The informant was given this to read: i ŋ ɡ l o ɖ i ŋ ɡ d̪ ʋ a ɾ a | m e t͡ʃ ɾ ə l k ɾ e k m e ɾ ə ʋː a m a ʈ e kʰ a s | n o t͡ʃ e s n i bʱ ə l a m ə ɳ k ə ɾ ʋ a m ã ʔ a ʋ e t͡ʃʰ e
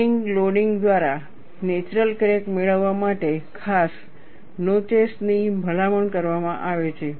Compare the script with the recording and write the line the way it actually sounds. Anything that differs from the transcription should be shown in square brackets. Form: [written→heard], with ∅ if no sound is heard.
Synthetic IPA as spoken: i ŋ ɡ l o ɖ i ŋ ɡ d̪ ʋ a ɾ a | [m→n] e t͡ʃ ɾ ə l k ɾ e k m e [ɾ→ɭ] ə ʋː a m a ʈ e kʰ a s | n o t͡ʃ e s n i bʱ ə l a m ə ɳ k ə ɾ ʋ a m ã ʔ a ʋ e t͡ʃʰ e